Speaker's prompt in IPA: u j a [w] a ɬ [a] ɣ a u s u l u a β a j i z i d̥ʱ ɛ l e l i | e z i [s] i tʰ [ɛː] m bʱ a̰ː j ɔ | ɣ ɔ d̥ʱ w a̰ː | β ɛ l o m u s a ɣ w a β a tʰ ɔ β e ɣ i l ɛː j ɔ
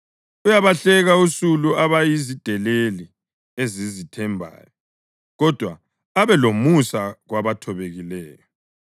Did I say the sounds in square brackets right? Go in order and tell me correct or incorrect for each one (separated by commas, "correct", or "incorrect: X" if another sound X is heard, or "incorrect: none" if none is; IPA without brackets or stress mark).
incorrect: β, incorrect: ɛ, incorrect: z, incorrect: ɛ